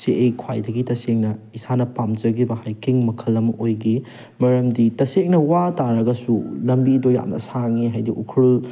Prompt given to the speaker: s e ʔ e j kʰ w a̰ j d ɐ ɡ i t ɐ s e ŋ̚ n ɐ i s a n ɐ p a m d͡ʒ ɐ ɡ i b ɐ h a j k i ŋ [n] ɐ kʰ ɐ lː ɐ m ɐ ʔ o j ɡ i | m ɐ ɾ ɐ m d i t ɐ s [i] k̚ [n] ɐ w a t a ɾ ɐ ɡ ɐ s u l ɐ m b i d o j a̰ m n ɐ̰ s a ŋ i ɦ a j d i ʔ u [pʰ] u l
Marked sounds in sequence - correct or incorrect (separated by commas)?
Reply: incorrect, incorrect, correct, incorrect